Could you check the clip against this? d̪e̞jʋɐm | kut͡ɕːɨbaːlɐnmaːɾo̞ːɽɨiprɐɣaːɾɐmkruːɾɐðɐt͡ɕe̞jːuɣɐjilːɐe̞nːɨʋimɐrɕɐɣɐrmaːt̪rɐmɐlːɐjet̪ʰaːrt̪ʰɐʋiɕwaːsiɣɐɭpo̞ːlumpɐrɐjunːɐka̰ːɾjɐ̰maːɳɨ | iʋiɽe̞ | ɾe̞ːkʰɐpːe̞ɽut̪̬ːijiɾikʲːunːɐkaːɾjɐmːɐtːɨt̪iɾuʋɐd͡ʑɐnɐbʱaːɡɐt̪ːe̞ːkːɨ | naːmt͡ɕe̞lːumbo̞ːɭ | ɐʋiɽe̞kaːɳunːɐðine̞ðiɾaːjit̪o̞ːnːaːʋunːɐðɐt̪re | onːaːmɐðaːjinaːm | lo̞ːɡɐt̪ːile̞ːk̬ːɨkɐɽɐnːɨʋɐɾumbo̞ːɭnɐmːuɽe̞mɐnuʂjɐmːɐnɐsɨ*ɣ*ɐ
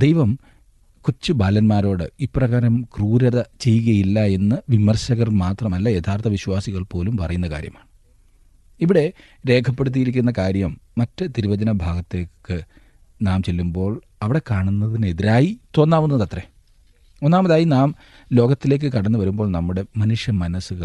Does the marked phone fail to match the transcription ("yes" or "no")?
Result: no